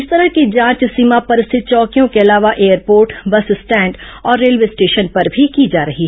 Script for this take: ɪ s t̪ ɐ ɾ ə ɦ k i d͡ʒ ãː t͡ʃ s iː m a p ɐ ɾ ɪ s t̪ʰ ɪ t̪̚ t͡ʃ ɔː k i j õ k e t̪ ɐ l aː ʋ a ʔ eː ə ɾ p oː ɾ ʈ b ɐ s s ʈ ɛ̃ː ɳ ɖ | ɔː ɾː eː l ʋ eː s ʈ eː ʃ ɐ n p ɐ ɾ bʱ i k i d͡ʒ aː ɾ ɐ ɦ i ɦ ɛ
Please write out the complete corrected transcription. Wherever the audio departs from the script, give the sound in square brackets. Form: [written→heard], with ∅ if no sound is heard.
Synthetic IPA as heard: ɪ s t̪ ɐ ɾ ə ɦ k i d͡ʒ ãː t͡ʃ s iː m a p ɐ ɾ ɪ s t̪ʰ ɪ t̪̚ t͡ʃ ɔː k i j õ k e [t̪→∅] ɐ l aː ʋ a ʔ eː ə ɾ p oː ɾ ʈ b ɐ s s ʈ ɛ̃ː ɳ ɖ | ɔː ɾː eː l ʋ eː s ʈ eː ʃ [ɐ→ə] n p ɐ ɾ bʱ i k i d͡ʒ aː ɾ ɐ ɦ i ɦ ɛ